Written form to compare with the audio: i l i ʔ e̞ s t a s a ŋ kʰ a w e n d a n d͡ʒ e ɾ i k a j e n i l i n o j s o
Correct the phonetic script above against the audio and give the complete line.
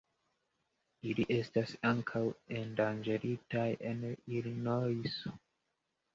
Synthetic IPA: i l i ʔ e̞ s t a s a ŋ kʰ a w e n d a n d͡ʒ e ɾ i t a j e n i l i n o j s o